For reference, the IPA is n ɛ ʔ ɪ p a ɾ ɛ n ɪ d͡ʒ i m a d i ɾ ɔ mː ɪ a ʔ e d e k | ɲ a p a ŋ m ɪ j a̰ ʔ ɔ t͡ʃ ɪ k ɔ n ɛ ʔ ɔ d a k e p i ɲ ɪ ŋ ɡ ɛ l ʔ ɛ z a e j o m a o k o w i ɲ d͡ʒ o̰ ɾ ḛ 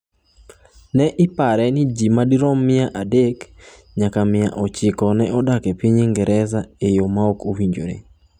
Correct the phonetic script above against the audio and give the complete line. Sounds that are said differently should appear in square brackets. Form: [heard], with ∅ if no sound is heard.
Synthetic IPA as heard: n ɛ ʔ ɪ p a ɾ ɛ n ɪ d͡ʒ i m a d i ɾ ɔ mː ɪ a ʔ [a] d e k | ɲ a [k] a [∅] m ɪ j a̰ ʔ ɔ t͡ʃ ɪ k ɔ n ɛ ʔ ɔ d a k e p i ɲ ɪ ŋ ɡ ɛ [ɾ] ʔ ɛ z a e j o m a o k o w i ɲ d͡ʒ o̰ ɾ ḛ

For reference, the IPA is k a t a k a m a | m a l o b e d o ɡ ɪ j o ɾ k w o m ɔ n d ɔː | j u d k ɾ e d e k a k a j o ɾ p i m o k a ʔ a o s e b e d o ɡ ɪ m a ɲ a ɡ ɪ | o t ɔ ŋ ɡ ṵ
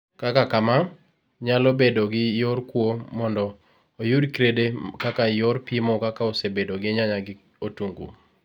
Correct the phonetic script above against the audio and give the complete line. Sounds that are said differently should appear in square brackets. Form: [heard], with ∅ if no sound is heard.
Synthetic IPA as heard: k a [k] a k a m a | [ɲ] a l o b e d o ɡ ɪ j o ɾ k w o m ɔ n d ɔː | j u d k ɾ e d e k a k a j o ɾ p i m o k a [k] a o s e b e d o ɡ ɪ [ɲ] a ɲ a ɡ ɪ | o t [u] ŋ ɡ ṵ

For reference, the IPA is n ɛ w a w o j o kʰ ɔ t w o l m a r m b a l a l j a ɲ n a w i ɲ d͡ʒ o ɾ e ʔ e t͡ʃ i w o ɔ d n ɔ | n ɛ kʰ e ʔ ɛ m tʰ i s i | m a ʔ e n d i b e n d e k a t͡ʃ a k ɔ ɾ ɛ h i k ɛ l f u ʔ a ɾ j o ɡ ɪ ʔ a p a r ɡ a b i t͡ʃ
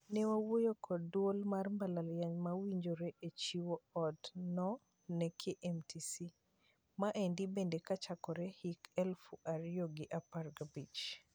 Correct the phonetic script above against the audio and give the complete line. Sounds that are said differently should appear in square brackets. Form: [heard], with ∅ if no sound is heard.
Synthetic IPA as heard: n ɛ w a w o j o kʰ ɔ [d] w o l m a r m b a l a l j a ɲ [m] a w i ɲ d͡ʒ o ɾ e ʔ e t͡ʃ i w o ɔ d n ɔ | n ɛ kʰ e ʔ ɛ m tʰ i s i | m a ʔ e n d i b e n d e k a t͡ʃ a k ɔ ɾ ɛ h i k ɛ l f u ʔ a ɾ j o ɡ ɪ ʔ a p a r ɡ a b i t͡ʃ

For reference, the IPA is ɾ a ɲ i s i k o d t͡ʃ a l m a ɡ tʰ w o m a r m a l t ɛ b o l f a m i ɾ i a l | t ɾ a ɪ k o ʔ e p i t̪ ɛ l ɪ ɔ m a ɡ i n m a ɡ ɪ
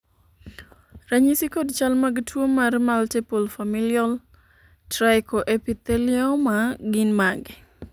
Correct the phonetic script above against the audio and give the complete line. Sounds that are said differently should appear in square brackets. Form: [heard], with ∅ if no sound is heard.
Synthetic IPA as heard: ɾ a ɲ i s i k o d t͡ʃ a l m a ɡ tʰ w o m a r m a l t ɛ [p] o l f a m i [l] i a l | t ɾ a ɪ k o ʔ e p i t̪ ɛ l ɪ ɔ m a ɡ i n m a ɡ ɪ

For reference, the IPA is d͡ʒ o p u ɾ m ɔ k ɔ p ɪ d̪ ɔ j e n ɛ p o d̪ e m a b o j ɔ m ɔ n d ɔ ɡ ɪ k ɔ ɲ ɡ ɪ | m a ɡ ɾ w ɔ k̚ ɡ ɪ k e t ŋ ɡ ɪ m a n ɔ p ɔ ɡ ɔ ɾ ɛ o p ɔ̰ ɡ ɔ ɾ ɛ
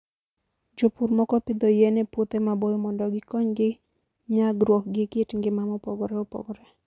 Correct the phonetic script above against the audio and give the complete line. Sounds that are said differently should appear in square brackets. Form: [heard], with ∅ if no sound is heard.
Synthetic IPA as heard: d͡ʒ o p u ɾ m ɔ k ɔ p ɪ d̪ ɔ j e n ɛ p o [t̪] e m a b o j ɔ m ɔ n d ɔ ɡ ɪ k ɔ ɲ ɡ ɪ | [ɲ] a ɡ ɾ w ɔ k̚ ɡ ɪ k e t ŋ ɡ ɪ m a [m] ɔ p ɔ ɡ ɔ ɾ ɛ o p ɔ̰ ɡ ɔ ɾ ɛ

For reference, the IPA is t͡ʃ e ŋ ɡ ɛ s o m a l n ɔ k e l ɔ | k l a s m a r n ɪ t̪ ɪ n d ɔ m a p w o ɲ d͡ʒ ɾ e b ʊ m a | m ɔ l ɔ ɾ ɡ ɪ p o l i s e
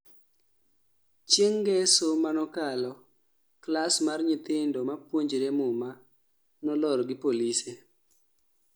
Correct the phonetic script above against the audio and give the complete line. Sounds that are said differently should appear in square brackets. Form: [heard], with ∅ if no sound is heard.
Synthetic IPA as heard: t͡ʃ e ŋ ɡ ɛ s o m a [∅] n ɔ k [a] l ɔ | k l a s m a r [ɲ] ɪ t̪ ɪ n d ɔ m a p w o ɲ d͡ʒ ɾ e [m] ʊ m a | [n] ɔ l ɔ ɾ ɡ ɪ p o l i s e

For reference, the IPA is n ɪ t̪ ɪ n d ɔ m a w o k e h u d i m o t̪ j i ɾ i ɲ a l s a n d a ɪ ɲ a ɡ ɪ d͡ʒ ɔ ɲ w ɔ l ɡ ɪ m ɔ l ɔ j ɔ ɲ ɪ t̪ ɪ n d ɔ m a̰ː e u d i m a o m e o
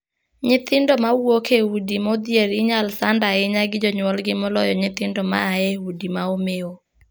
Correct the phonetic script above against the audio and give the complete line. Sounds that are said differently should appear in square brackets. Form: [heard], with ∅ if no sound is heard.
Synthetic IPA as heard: [ɲ] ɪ t̪ ɪ n d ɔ m a w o k e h u d i m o [d̪] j [e] ɾ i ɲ a l s a n d a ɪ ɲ a ɡ ɪ d͡ʒ ɔ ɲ w ɔ l ɡ ɪ m ɔ l ɔ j ɔ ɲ ɪ t̪ ɪ n d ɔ m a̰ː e u d i m a o m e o

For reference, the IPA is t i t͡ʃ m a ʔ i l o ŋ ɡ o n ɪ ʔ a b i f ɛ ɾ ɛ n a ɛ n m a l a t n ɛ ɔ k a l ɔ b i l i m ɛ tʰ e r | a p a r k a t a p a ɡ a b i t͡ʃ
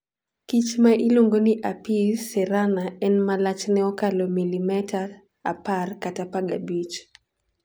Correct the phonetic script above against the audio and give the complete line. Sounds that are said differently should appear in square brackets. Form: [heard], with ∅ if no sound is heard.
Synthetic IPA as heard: [k] i t͡ʃ m a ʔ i l o ŋ ɡ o n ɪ ʔ a [p] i [s] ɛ ɾ [a] n a ɛ n m a l a [t͡ʃ] n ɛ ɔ k a l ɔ [m] i l i m ɛ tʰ [a] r | a p a r k a t a p a ɡ a b i t͡ʃ

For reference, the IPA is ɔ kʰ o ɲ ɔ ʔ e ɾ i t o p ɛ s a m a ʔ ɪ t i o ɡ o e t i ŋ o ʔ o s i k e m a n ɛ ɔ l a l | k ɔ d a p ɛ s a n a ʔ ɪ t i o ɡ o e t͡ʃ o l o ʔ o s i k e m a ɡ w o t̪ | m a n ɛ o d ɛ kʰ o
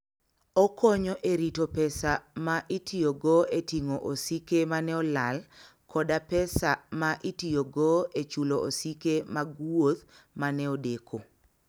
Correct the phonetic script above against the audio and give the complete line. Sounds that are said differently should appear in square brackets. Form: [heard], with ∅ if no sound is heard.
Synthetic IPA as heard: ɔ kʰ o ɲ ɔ ʔ e ɾ i t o p ɛ s a m a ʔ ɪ t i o ɡ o e t i ŋ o ʔ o s i k e m a n ɛ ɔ l a l | k ɔ d a p ɛ s a [m] a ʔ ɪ t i o ɡ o e t͡ʃ [u] l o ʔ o s i k e m a ɡ w o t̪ | m a n ɛ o d [e] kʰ o

